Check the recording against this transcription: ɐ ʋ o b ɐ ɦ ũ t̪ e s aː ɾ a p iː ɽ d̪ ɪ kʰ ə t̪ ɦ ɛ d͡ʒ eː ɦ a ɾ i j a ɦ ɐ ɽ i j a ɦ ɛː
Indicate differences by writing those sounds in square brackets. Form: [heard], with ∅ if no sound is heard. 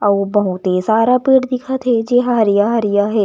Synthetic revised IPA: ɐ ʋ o b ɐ ɦ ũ t̪ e s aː ɾ a p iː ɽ d̪ ɪ kʰ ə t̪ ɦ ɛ d͡ʒ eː ɦ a ɾ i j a ɦ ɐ [ɾ] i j a ɦ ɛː